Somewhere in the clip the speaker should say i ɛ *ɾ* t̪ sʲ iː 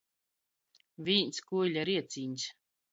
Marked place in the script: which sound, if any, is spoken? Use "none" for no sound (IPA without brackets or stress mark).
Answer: none